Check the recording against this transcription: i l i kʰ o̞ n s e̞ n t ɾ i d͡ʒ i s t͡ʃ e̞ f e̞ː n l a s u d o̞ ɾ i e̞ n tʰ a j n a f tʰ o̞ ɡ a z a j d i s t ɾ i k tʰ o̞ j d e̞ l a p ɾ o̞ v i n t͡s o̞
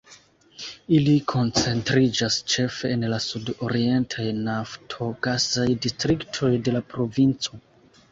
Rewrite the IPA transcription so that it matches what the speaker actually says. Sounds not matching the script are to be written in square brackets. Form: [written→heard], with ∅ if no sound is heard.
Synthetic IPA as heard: i l i kʰ o̞ n [s→t͡s] e̞ n t ɾ i d͡ʒ [i→a] s t͡ʃ e̞ f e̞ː n l a s u d o̞ ɾ i e̞ n tʰ a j n a f tʰ o̞ ɡ a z a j d i s t ɾ i k tʰ o̞ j d e̞ l a p ɾ o̞ v i n t͡s o̞